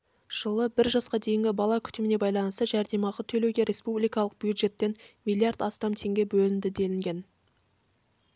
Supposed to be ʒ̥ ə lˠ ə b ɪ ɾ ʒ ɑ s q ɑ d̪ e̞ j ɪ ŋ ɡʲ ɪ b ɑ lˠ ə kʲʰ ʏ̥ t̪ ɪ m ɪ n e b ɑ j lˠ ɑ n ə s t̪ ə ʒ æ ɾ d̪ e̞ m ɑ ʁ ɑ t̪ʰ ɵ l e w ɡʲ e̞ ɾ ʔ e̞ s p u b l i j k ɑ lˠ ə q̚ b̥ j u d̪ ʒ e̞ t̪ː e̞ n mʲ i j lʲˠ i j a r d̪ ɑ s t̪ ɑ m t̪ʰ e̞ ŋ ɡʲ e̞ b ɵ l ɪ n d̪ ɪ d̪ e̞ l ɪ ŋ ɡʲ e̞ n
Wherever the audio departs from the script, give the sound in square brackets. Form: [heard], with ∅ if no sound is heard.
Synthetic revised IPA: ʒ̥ ə lˠ ə b ɪ ɾ ʒ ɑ s q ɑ d̪ e̞ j ɪ ŋ ɡʲ ɪ b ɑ lˠ [ɑ] kʲʰ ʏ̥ t̪ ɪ m ɪ n e b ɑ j lˠ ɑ n ə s t̪ ə ʒ æ ɾ d̪ e̞ m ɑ ʁ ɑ t̪ʰ ɵ l e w ɡʲ e̞ ɾ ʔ e̞ s p u b l i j k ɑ lˠ ə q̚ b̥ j u d̪ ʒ e̞ t̪ː e̞ n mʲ i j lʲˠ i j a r d̪ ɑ s t̪ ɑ m t̪ʰ e̞ ŋ ɡʲ e̞ b ɵ l ɪ n d̪ ɪ d̪ e̞ l ɪ ŋ ɡʲ e̞ n